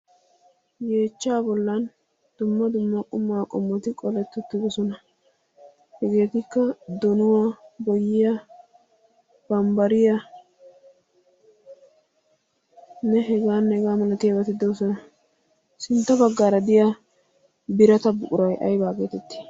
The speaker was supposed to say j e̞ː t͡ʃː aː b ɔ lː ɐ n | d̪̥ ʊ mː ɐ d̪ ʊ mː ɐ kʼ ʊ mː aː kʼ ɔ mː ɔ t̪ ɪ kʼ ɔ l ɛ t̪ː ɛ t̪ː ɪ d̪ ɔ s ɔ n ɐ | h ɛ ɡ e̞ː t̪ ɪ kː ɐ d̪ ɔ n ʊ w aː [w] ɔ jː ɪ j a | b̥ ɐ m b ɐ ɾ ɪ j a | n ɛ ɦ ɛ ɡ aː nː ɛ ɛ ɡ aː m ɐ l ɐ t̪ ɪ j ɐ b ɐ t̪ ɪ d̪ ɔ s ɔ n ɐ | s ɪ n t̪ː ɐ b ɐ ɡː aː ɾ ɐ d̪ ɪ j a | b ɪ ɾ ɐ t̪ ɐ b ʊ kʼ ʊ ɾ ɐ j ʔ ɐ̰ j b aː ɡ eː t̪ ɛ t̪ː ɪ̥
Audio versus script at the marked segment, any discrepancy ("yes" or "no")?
yes